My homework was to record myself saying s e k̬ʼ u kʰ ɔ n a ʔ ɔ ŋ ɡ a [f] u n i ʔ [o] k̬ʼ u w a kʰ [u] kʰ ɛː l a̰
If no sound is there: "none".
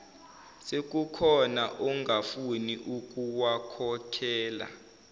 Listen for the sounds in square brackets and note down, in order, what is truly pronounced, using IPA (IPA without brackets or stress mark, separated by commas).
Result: f, u, ɔ